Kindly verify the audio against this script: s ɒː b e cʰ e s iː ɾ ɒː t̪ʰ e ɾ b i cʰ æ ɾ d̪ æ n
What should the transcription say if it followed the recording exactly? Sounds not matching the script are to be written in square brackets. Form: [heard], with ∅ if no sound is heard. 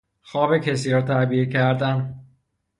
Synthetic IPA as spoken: [x] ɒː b e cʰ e s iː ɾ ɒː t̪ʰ [æ] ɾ b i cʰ æ ɾ d̪ æ n